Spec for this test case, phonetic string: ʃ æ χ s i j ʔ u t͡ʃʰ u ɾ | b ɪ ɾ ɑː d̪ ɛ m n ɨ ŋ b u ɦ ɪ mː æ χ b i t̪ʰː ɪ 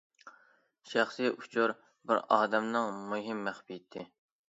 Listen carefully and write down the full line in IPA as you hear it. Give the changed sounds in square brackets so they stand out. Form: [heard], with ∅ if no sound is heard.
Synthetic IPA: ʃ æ χ s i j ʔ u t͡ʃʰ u ɾ | b ɪ ɾ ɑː d̪ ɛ m n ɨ ŋ [m] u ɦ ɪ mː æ χ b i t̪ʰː ɪ